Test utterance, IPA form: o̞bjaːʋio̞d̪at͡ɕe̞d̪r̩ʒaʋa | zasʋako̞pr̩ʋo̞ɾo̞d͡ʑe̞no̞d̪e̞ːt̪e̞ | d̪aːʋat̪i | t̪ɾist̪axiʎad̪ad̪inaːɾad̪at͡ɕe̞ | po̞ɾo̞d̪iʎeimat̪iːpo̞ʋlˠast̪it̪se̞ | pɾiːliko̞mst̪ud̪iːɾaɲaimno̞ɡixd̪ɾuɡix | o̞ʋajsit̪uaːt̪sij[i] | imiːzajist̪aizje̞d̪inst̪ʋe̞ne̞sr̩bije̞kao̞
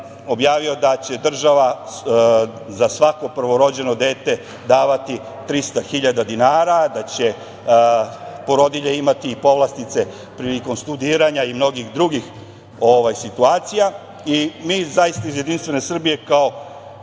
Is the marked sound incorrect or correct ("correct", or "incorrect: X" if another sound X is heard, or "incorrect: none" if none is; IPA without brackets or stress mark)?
incorrect: a